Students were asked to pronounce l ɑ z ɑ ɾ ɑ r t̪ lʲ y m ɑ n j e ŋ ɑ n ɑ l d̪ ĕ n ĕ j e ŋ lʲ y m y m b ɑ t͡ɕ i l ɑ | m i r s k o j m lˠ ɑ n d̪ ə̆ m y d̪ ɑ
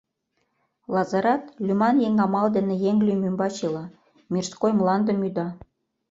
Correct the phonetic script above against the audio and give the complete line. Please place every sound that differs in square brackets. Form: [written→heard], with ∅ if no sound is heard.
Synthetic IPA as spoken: l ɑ z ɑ ɾ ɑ [r→∅] t̪ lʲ y m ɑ n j e ŋ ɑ [n→m] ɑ l d̪ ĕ n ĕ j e ŋ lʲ y m y m b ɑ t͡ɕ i l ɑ | m i r s k o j m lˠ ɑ n d̪ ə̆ m y d̪ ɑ